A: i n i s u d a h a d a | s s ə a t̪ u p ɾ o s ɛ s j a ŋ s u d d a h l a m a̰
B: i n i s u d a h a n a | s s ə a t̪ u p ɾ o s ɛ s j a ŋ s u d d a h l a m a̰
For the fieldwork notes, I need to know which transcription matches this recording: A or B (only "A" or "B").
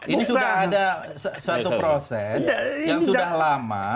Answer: A